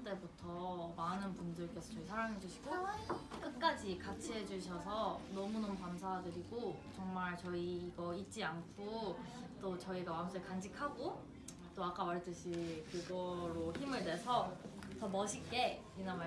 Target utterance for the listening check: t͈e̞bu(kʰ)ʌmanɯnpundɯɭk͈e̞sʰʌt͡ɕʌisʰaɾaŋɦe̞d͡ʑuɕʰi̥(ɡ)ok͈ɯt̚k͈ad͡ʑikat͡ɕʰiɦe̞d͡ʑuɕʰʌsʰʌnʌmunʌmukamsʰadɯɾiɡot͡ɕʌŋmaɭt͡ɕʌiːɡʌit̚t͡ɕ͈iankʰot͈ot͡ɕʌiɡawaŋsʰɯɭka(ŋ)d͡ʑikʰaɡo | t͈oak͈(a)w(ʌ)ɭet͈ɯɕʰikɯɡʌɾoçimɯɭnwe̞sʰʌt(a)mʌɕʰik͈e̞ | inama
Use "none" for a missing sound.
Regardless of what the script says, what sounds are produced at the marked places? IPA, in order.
tʰ, ɡ, n, a, a, ʌ

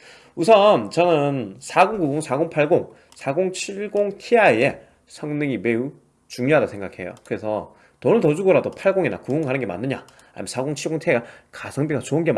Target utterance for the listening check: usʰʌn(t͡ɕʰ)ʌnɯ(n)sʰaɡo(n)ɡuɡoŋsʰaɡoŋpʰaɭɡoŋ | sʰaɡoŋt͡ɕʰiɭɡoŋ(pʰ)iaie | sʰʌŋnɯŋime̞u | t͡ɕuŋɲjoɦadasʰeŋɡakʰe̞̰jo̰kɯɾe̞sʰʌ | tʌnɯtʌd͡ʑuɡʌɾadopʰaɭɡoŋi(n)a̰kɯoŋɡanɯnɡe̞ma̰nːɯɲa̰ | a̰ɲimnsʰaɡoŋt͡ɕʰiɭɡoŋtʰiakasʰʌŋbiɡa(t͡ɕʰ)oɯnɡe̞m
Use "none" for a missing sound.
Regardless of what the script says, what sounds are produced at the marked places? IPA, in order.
t͡ɕ, n, ŋ, tʰ, n, t͡ɕ

